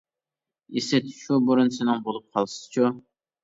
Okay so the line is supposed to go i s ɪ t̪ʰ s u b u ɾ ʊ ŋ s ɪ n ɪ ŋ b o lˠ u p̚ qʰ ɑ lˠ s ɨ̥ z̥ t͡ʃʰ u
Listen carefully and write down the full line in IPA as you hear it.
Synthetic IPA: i s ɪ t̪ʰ ʃ u b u ɾ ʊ n s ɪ n ɪ ŋ b o lˠ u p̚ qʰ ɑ lˠ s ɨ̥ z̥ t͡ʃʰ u